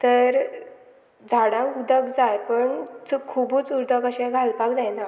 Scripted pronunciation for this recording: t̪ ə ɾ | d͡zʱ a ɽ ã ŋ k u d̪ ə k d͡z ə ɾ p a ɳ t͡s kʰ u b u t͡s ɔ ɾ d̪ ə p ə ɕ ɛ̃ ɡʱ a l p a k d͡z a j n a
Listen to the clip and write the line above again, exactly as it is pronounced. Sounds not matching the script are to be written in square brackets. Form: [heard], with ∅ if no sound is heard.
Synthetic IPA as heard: t̪ ə ɾ | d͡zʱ a ɽ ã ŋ k u d̪ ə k d͡z [a] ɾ p [ə] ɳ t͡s kʰ u b u t͡s [u] ɾ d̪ ə [k] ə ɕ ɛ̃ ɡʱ a l p a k d͡z a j n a